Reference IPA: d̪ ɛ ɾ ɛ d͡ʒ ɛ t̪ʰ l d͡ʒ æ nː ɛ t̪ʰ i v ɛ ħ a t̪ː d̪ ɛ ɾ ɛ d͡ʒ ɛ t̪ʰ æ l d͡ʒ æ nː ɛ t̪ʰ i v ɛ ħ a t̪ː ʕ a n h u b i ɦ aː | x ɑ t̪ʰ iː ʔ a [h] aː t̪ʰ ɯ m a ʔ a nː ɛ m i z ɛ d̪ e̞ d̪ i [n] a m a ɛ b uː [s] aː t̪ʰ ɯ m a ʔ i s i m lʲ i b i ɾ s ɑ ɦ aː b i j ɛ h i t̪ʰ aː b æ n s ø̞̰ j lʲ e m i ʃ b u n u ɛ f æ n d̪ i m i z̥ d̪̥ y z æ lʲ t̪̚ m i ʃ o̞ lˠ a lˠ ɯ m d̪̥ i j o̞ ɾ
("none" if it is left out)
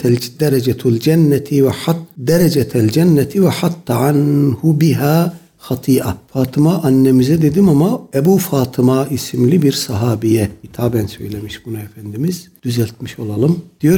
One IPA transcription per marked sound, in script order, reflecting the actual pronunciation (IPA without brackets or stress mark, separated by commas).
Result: f, m, f